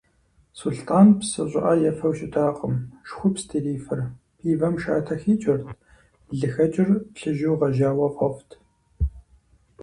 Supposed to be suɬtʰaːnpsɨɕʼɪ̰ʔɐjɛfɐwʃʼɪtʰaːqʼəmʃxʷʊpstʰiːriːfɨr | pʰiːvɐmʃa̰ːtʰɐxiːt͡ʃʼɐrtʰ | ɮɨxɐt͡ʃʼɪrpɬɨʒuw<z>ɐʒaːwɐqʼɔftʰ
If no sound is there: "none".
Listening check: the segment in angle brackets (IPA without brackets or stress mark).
ʁ